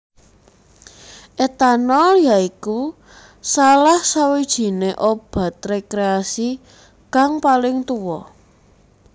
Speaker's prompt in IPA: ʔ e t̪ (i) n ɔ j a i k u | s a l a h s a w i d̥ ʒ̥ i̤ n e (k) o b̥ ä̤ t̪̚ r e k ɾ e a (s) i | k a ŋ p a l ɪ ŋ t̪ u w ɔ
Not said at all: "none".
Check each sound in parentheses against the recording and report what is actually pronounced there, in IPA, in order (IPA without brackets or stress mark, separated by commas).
a, ʔ, s